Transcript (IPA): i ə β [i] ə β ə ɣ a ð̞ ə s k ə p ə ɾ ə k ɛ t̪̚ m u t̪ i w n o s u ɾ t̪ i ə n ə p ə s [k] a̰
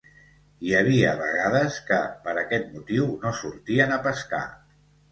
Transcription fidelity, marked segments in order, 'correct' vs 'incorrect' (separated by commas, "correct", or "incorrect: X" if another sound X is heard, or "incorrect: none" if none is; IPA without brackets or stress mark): correct, correct